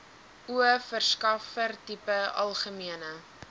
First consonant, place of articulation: labial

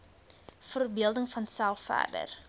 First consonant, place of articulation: labial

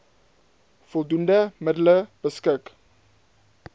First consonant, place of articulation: labial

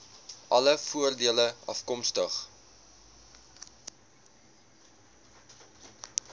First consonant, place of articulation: glottal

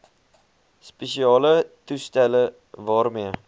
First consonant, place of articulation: alveolar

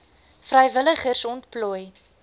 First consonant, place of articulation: labial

